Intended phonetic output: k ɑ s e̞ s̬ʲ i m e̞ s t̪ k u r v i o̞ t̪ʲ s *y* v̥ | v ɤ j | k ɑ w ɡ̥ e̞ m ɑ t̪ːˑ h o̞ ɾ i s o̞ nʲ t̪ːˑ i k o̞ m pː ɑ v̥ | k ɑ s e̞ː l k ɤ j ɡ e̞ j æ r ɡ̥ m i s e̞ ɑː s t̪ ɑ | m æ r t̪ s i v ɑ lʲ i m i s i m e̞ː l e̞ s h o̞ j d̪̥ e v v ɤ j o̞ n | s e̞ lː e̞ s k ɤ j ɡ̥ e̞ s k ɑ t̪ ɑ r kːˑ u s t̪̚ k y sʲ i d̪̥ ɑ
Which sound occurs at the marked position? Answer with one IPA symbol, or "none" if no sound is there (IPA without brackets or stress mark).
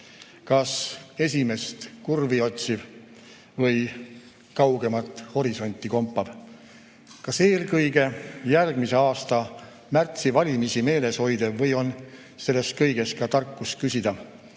i